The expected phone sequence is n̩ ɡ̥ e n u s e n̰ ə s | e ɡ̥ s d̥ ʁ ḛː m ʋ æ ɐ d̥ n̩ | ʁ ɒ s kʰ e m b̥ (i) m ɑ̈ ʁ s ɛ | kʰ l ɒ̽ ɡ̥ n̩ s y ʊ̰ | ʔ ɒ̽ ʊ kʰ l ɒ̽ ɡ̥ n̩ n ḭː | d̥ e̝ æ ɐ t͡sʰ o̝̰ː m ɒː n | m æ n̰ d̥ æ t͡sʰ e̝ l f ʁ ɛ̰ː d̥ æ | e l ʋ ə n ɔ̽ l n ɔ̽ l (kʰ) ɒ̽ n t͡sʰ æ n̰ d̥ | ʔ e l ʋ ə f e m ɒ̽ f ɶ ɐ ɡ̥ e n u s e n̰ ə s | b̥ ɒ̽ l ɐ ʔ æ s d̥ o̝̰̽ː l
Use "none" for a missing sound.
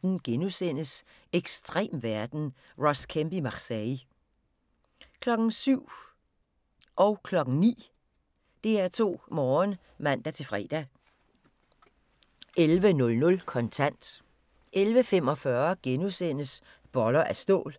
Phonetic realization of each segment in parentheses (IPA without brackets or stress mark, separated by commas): i, kʰ